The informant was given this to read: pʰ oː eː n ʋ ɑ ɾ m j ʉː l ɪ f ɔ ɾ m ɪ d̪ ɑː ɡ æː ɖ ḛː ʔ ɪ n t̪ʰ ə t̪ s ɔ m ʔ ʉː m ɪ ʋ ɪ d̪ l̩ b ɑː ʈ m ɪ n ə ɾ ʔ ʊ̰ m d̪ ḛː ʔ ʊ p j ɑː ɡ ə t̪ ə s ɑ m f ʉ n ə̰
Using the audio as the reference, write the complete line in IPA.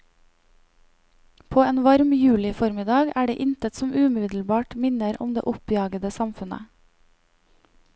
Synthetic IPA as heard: pʰ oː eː n ʋ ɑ ɾ m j ʉː l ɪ f ɔ ɾ m ɪ d̪ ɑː ɡ æː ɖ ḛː ʔ ɪ n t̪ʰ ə t̪ s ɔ m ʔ ʉː m ɪ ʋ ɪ d̪ l̩ b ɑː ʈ m ɪ n ə ɾ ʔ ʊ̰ m d̪ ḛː ʔ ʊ p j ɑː ɡ ə d̪ ə s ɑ m f ʉ n ə̰